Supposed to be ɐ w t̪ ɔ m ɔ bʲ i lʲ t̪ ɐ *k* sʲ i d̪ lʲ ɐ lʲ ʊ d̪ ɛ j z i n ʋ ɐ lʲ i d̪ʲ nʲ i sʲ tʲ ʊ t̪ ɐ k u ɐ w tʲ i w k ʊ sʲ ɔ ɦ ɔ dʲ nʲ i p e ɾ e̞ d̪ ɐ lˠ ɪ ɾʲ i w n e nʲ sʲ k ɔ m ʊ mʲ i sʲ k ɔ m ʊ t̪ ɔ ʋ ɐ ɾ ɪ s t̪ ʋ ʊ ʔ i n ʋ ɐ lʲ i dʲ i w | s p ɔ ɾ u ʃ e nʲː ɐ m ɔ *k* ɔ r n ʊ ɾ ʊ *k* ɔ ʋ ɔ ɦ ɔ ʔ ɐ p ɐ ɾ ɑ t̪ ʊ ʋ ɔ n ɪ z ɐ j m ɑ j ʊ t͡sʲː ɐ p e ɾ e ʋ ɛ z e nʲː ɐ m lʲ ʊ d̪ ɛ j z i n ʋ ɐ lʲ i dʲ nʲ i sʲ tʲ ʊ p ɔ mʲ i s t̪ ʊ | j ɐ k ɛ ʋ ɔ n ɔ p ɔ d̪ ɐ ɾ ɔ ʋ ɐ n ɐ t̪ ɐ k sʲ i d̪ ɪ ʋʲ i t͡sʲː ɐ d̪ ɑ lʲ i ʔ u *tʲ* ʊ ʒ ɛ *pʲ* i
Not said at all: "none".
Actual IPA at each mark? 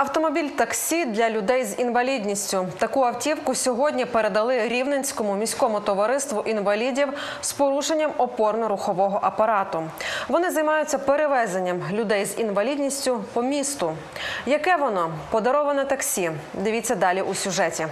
k, p, x, sʲ, tʲ

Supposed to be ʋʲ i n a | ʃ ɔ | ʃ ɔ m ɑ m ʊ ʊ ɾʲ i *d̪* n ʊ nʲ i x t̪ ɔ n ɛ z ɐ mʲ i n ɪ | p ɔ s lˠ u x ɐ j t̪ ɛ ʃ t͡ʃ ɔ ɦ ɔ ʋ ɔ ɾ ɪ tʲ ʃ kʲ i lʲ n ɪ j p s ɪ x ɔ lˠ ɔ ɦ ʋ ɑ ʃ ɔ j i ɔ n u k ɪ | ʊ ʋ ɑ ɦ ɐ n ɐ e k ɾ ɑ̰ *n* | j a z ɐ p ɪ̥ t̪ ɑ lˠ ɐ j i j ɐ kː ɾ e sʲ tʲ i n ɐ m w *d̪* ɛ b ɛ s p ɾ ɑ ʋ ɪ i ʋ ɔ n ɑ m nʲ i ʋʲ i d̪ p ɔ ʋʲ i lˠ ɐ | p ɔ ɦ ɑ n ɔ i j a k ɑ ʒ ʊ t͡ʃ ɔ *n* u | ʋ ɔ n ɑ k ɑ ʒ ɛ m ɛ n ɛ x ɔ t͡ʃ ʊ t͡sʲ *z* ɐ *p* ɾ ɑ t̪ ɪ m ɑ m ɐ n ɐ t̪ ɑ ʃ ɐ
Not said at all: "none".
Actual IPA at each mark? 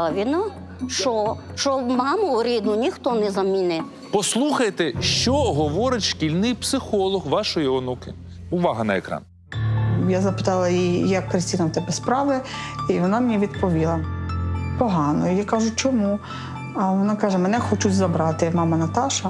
d̪, n, t̪, m, z, b

